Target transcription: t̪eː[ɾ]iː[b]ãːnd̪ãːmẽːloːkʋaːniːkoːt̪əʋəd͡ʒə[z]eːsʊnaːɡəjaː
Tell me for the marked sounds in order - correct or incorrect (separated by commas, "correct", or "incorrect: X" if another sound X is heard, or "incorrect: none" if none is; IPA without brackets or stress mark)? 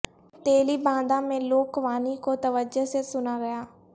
incorrect: l, correct, incorrect: s